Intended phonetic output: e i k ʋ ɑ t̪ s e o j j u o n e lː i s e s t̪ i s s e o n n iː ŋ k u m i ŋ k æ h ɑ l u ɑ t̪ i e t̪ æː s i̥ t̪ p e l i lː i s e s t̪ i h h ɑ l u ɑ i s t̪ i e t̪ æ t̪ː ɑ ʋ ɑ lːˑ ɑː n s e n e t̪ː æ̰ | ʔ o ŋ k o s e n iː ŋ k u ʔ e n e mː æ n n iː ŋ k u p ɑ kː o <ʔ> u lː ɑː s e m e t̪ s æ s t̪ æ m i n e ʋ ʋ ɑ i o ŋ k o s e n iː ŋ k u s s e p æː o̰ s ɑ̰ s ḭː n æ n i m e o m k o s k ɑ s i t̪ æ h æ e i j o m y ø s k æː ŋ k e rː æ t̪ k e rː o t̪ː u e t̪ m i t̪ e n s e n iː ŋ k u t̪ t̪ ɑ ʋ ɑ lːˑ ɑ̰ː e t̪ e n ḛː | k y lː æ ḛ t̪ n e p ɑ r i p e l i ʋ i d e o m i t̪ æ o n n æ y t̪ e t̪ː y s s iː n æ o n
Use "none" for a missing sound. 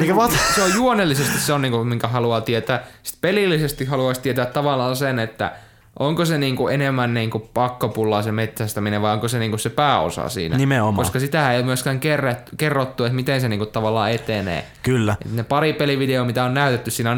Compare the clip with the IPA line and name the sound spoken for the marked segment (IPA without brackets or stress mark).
p